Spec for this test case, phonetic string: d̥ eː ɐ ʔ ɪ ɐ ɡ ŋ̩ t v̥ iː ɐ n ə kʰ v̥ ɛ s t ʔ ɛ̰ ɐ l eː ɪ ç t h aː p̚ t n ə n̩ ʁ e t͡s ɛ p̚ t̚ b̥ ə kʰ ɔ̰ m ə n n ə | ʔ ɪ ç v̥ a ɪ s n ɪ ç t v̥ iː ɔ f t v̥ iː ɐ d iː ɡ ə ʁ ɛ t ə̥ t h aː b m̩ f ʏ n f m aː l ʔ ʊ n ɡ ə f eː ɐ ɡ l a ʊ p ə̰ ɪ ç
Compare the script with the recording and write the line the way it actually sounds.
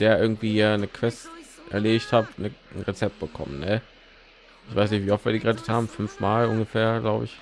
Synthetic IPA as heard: d̥ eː ɐ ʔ ɪ ɐ ɡ ŋ̩ t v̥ iː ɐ n ə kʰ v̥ ɛ s t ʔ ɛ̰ ɐ l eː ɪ ç t h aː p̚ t n ə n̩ ʁ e t͡s ɛ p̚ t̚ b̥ ə kʰ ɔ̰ m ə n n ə | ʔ ɪ ç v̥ a ɪ s n ɪ ç t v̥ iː ɔ f t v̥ iː ɐ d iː ɡ ə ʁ ɛ t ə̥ t h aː b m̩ f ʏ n f m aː l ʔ ʊ n ɡ ə f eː ɐ ɡ l a ʊ b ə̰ ɪ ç